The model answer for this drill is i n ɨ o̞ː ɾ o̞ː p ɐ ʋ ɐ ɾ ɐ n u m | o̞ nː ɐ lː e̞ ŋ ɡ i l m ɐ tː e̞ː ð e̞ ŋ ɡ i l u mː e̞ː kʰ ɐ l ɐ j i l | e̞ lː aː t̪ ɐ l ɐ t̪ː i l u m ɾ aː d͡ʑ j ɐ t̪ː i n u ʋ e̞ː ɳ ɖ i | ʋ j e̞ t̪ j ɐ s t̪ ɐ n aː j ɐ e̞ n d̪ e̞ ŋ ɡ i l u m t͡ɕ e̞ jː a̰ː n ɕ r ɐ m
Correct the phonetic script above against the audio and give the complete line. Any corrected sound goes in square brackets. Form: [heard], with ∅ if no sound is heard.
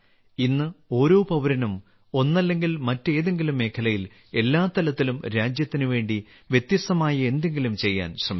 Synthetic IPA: i [nː] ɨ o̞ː ɾ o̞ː p ɐ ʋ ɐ ɾ ɐ n u m | o̞ nː ɐ lː e̞ ŋ ɡ i l m ɐ tː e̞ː ð e̞ ŋ ɡ i l u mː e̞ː kʰ ɐ l ɐ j i l | e̞ lː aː t̪ ɐ l ɐ t̪ː i l u m ɾ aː d͡ʑ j ɐ t̪ː i n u ʋ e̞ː ɳ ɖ i | ʋ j e̞ t̪ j ɐ s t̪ ɐ [m] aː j ɐ e̞ n d̪ e̞ ŋ ɡ i l u m t͡ɕ e̞ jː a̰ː n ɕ r ɐ m